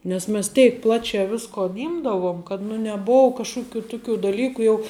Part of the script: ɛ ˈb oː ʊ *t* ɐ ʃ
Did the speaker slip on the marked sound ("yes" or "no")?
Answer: yes